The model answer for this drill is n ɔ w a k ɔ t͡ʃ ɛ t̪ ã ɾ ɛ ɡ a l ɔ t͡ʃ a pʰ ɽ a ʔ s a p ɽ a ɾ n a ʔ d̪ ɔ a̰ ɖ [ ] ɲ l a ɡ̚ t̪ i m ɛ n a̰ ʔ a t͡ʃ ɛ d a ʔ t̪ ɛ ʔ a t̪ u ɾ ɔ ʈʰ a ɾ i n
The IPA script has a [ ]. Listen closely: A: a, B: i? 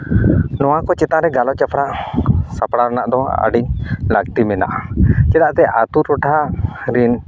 B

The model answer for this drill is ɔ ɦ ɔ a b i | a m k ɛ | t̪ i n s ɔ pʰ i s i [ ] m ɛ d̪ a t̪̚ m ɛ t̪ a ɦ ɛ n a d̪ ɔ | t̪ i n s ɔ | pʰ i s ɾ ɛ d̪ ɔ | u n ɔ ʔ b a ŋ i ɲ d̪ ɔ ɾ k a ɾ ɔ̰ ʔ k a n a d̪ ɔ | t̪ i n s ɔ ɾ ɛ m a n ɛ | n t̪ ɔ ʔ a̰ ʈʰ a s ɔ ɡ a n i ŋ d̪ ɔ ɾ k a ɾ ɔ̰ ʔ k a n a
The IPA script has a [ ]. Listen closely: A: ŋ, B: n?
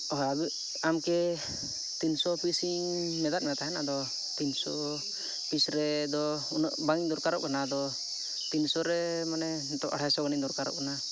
A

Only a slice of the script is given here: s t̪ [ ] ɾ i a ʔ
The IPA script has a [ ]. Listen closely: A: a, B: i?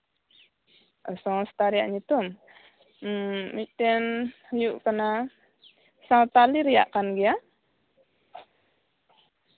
A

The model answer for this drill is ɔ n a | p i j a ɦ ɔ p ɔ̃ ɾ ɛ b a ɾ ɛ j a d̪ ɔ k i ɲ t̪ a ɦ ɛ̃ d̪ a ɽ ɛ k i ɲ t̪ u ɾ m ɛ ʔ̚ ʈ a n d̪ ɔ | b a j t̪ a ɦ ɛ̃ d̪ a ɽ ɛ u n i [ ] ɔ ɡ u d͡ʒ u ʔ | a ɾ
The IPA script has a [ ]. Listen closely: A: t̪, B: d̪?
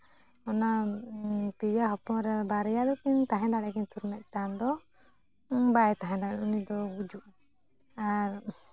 B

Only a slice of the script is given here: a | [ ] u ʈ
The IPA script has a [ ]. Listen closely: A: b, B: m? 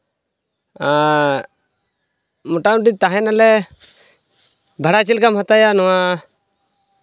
B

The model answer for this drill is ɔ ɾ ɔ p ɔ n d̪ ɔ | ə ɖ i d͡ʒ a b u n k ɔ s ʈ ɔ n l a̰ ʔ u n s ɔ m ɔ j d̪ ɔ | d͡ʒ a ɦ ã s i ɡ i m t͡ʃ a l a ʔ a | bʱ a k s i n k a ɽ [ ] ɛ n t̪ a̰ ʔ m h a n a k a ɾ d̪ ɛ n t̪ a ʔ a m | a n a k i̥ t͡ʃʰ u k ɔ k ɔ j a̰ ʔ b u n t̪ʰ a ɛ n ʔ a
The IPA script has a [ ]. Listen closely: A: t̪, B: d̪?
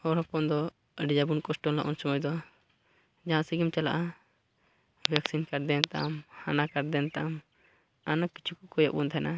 B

